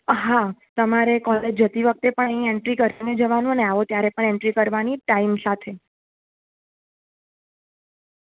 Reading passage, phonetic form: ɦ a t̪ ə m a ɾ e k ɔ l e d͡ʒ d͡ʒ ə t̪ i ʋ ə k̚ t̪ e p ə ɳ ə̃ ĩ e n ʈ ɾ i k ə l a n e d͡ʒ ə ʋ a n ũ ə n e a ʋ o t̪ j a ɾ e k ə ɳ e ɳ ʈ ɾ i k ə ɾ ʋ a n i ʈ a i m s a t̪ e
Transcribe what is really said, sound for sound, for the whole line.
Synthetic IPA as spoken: ɦ a t̪ ə m a ɾ e k ɔ l e d͡ʒ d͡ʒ ə t̪ i ʋ ə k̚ t̪ e p ə ɳ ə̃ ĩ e ɳ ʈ ɾ i k ə ɾ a n e d͡ʒ ə ʋ a n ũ ə n e a ʋ o t̪ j a ɾ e p ə ɳ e ɳ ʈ ɾ i k ə ɾ ʋ a n i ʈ a i m s a t̪ʰ e